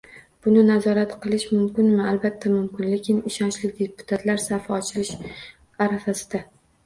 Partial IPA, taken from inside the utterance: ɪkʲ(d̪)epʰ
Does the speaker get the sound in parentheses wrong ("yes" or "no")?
no